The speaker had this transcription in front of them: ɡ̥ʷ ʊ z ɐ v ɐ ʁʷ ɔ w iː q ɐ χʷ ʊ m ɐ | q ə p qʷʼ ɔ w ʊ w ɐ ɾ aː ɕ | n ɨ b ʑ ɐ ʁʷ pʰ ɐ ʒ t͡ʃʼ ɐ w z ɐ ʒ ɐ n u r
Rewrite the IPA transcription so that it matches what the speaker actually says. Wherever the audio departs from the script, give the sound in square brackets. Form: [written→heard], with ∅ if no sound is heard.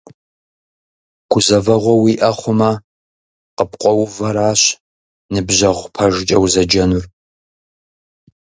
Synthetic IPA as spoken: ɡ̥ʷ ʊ z ɐ v ɐ ʁʷ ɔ w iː [q→ʔ] ɐ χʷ ʊ m ɐ | q ə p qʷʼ ɔ w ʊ [w→v] ɐ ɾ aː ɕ | n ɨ b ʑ ɐ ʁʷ pʰ ɐ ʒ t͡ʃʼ ɐ w z ɐ [ʒ→d͡ʒ] ɐ n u r